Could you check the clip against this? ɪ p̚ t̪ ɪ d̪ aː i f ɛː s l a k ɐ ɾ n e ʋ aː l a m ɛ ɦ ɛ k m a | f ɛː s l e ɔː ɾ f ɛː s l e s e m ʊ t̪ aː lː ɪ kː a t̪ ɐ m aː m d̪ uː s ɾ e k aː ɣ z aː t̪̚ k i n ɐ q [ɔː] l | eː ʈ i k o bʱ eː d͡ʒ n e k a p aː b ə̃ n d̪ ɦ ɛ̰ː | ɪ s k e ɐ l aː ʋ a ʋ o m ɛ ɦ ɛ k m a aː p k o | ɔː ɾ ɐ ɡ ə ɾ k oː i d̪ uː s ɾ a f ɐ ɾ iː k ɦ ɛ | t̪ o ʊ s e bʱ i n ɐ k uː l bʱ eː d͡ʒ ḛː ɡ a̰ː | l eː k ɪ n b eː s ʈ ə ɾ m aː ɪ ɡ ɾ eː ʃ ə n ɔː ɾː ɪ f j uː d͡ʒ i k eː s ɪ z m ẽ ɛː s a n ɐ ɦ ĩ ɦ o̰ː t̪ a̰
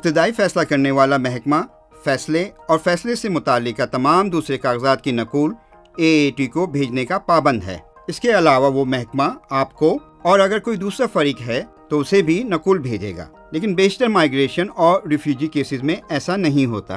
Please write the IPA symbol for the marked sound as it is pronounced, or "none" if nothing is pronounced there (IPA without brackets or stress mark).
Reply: uː